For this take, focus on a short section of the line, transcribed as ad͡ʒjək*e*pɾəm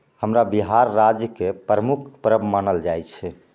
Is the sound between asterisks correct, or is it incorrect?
correct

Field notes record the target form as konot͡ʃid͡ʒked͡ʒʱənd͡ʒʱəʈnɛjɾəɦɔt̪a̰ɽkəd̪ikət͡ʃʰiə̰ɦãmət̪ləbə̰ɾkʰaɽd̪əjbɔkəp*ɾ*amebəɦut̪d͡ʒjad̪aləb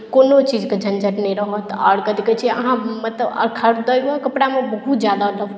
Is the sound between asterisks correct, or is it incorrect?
incorrect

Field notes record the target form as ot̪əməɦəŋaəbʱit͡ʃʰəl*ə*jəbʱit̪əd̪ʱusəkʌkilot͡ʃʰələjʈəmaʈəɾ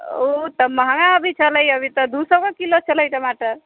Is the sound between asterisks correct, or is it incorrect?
correct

